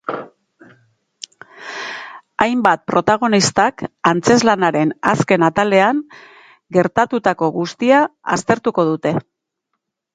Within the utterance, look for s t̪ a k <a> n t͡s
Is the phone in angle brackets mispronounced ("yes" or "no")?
no